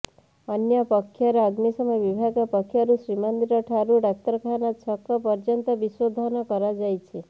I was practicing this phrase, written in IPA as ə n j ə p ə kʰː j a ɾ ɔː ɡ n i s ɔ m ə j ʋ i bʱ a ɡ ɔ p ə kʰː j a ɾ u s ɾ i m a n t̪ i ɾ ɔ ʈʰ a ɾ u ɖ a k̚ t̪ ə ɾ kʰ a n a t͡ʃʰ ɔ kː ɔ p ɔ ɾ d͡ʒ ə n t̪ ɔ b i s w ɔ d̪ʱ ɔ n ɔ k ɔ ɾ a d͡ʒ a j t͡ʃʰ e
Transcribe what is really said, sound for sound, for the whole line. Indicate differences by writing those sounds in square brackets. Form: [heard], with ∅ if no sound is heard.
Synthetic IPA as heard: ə n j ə p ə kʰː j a ɾ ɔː ɡ n i s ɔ m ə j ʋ i bʱ a ɡ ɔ p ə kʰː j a ɾ u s ɾ i m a n [d̪] i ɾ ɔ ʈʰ a ɾ u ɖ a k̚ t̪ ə ɾ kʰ a n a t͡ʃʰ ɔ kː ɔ p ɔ ɾ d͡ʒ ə n t̪ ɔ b i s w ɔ d̪ʱ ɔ n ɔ k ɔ ɾ a d͡ʒ a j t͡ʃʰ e